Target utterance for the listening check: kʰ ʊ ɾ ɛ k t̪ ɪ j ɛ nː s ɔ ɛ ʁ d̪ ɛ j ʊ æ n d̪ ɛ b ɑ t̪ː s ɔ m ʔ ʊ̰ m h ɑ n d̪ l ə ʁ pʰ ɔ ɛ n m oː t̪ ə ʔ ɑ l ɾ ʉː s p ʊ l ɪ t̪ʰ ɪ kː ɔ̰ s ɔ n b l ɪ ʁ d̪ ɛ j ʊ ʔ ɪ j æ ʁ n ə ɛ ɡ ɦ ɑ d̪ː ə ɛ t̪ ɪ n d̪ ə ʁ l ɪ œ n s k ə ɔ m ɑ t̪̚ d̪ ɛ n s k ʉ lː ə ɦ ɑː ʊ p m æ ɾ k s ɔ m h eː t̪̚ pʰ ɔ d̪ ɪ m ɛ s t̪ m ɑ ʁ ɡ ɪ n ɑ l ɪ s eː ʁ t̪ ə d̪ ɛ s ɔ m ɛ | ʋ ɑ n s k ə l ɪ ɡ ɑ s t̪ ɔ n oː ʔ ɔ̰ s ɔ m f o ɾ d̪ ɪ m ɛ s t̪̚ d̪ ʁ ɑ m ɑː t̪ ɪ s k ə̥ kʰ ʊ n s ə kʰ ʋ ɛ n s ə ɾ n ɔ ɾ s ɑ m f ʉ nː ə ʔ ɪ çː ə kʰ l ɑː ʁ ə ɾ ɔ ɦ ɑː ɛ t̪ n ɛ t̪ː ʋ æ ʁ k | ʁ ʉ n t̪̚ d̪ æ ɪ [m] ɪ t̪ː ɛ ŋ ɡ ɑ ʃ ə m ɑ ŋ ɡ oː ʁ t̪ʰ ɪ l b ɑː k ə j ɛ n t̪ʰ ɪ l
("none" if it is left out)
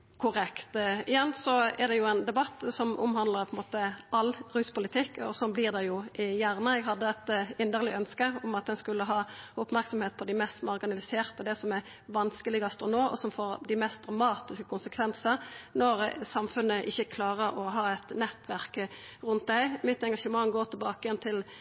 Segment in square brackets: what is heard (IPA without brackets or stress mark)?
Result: m